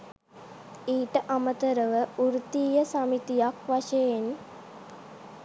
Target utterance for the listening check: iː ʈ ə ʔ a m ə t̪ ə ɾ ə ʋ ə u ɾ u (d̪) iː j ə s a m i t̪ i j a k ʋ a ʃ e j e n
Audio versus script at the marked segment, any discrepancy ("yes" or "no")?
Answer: yes